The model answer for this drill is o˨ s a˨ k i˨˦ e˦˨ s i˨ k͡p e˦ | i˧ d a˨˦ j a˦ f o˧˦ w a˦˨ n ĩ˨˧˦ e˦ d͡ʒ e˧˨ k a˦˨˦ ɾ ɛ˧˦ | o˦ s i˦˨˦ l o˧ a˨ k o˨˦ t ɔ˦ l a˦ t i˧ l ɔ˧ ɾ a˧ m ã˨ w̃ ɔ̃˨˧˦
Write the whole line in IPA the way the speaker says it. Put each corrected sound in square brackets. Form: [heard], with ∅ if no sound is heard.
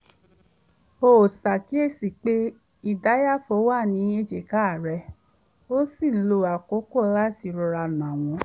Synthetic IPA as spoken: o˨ s a˨ k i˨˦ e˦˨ s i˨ k͡p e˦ | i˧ d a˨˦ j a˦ f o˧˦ w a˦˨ n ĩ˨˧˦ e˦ d͡ʒ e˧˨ k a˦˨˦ ɾ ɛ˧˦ | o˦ s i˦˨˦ l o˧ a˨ k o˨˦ [k] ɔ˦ l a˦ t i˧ [ɾ] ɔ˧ ɾ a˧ [n] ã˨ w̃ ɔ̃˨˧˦